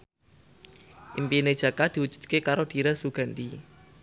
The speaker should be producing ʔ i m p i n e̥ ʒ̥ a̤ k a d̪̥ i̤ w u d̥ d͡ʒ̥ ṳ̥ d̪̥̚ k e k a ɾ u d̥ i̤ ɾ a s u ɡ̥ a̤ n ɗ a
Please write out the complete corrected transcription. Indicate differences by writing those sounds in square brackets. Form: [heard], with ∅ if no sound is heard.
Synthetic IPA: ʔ i m p i n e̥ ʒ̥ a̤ k a d̪̥ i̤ w u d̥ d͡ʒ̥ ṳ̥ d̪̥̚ k e k a ɾ [o] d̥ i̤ ɾ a s u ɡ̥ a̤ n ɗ [i]